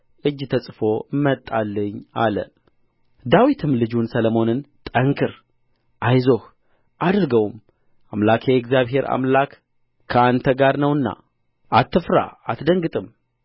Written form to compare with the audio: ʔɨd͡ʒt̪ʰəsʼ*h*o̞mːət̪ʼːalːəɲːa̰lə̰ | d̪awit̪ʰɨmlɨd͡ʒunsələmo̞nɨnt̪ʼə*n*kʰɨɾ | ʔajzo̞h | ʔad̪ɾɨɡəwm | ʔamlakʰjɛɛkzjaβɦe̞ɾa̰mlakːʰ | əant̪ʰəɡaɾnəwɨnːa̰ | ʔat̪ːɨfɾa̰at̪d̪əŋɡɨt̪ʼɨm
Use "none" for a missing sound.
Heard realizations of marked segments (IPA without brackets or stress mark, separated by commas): f, ŋ